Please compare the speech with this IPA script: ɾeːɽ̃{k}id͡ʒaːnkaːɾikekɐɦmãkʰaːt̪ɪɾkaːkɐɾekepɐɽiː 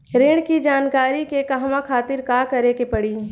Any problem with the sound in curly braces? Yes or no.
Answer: no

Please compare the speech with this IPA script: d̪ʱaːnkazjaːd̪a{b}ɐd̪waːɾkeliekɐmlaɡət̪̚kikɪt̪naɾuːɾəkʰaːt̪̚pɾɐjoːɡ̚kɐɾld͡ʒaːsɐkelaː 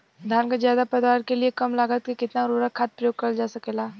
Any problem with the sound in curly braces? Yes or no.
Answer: yes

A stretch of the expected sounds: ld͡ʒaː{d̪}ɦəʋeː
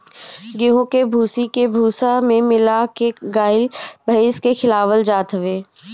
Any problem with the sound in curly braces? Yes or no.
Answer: yes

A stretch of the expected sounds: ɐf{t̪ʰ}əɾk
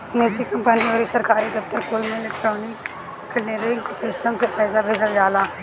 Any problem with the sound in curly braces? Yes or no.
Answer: yes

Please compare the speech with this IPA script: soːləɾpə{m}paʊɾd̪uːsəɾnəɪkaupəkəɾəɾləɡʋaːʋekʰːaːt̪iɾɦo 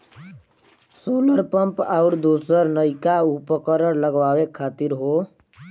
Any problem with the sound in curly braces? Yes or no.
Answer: no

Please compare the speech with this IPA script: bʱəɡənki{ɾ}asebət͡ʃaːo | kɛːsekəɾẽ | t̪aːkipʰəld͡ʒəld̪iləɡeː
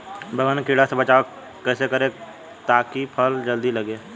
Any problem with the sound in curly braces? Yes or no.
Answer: yes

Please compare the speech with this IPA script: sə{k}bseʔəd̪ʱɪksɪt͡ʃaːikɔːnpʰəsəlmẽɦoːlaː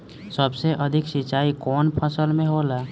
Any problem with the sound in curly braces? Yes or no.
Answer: yes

